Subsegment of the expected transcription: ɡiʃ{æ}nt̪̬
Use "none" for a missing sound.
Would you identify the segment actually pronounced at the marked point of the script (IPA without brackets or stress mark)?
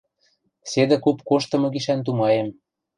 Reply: æ